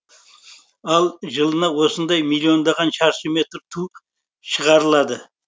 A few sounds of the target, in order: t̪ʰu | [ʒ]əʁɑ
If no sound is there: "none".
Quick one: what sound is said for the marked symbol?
ʃ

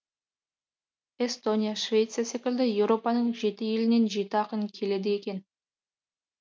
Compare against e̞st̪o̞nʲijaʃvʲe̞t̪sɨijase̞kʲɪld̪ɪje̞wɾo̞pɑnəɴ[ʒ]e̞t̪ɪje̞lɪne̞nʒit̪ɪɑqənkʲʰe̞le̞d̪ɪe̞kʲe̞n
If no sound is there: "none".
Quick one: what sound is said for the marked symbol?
ʒ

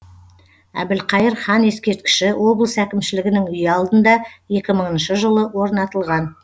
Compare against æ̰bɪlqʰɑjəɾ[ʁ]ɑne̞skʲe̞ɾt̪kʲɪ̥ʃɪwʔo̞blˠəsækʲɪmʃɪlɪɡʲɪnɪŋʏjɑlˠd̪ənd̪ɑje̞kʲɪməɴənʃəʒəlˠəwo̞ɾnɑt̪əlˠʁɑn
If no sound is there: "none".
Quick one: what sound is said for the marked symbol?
χ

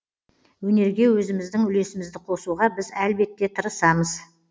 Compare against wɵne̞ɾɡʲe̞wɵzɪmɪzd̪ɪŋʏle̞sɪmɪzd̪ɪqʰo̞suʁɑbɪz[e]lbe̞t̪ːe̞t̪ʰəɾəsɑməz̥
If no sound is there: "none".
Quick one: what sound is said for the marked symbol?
æ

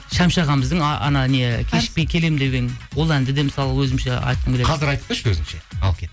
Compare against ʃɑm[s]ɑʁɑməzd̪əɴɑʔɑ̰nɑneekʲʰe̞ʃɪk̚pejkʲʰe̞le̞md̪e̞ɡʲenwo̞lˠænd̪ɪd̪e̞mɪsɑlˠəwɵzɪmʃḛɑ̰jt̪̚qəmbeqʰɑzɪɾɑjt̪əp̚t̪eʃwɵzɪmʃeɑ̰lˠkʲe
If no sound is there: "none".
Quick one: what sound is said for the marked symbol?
ʃ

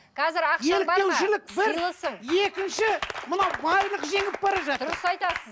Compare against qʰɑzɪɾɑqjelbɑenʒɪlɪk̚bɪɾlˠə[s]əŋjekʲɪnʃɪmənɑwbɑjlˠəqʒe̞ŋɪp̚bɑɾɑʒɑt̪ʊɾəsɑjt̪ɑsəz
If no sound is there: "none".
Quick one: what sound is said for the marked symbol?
s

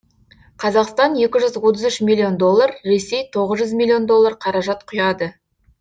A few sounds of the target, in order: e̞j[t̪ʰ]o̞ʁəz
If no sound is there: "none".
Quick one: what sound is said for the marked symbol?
t̪ʰ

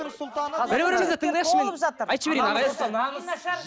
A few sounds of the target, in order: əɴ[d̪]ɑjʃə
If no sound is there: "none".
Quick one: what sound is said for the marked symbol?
d̪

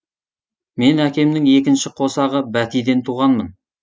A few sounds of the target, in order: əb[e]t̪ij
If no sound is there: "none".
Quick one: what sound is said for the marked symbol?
æ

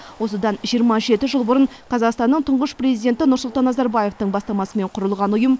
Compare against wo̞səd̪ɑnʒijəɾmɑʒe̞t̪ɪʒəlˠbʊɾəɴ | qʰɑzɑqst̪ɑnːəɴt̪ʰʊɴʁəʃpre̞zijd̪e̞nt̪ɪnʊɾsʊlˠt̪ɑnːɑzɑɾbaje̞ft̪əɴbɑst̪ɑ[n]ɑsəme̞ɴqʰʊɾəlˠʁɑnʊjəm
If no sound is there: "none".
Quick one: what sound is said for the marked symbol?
m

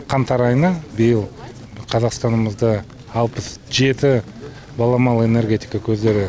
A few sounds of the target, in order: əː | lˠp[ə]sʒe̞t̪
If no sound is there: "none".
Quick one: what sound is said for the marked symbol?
ə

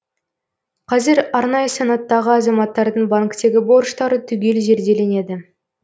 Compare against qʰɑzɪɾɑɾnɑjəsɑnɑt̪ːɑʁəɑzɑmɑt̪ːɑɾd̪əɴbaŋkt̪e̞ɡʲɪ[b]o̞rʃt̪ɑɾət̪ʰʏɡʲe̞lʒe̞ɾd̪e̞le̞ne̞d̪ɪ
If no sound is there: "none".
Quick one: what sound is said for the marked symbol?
b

